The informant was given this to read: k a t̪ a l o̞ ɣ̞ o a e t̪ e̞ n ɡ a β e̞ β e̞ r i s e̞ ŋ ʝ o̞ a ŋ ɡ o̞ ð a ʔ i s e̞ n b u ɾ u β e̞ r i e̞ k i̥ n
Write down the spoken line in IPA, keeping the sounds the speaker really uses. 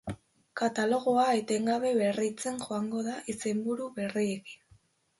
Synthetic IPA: k a t̪ a l o̞ ɣ̞ o a e t̪ e̞ ŋ ɡ a β e̞ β e̞ r i t͡s e̞ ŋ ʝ o̞ a ŋ ɡ o̞ ð a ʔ i s e̞ m b u ɾ u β e̞ r i e̞ k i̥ n